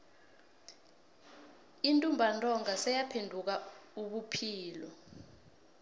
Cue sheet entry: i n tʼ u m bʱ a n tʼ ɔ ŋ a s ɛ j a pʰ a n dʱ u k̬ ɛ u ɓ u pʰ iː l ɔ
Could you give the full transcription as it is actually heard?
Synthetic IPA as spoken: i n tʼ u m bʱ a n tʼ ɔ ŋ a s ɛ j a pʰ e n dʱ u k̬ a u ɓ u pʰ iː l ɔ